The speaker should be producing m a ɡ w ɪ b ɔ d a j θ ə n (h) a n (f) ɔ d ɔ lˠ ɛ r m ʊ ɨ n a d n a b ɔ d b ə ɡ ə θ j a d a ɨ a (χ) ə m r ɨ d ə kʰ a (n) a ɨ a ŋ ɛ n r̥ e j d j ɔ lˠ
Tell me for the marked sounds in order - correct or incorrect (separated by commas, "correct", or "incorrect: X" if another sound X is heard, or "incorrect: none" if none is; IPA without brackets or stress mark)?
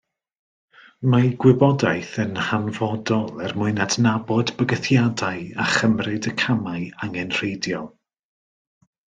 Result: correct, incorrect: v, correct, incorrect: m